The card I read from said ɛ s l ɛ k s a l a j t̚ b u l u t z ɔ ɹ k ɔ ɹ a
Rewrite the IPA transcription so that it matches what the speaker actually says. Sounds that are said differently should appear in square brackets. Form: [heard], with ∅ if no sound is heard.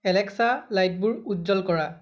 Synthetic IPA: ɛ [∅] l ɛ k s a l a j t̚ b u [ɹ] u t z ɔ [l] k ɔ ɹ a